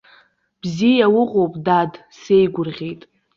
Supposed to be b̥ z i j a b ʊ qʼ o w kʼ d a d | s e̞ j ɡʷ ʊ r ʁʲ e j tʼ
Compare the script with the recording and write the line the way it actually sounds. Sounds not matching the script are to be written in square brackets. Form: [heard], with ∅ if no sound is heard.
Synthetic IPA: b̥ z i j a [w] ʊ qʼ o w [pʼ] d a d | s e̞ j ɡʷ ʊ r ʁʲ e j tʼ